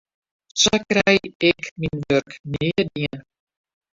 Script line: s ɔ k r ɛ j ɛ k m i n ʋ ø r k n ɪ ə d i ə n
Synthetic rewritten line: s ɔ k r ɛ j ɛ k m i n ʋ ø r k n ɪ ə d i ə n